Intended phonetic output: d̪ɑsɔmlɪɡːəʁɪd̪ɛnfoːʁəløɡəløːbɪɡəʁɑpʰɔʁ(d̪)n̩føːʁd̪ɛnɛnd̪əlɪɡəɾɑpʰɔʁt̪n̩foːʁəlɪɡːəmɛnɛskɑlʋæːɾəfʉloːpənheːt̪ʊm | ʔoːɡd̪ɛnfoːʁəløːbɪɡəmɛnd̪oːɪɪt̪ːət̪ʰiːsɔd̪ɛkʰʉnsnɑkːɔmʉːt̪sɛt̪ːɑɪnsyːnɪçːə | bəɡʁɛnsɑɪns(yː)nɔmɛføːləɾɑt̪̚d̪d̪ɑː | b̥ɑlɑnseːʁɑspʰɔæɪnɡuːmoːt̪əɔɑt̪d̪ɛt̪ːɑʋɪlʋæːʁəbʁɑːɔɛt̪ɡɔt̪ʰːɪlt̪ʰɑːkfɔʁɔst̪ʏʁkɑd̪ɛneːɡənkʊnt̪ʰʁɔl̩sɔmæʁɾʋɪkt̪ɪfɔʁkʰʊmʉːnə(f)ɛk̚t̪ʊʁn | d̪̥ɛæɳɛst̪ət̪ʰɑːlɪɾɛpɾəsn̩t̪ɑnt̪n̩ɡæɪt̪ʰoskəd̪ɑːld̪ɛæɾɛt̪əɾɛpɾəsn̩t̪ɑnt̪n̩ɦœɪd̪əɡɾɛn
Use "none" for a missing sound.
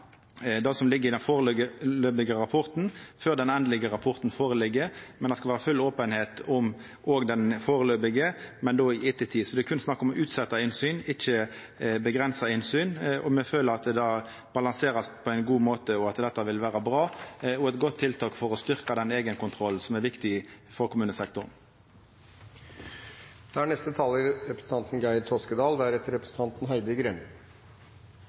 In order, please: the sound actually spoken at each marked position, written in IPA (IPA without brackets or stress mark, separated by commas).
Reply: t̪, yː, s